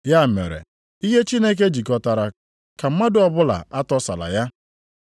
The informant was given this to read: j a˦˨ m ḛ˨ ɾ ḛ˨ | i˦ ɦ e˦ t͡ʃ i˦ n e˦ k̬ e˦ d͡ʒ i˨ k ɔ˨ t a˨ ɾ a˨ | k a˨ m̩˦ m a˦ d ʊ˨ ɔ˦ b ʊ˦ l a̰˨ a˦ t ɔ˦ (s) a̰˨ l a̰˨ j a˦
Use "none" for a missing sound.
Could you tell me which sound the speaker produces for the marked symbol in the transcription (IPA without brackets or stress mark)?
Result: s